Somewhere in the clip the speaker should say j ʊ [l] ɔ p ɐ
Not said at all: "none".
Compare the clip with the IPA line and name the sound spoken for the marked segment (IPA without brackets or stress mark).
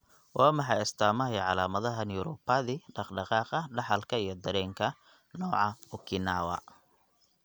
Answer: ɾ